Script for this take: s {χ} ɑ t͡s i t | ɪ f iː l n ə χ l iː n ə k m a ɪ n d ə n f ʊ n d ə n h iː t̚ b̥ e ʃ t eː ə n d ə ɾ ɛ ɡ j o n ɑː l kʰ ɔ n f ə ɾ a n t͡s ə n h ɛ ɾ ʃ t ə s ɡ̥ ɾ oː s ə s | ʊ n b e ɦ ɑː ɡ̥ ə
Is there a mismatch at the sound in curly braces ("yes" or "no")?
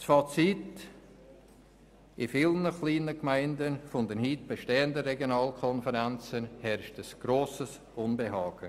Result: yes